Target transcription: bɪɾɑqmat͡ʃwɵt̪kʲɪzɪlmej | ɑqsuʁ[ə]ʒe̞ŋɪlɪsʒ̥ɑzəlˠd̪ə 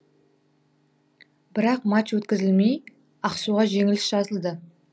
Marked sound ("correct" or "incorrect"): incorrect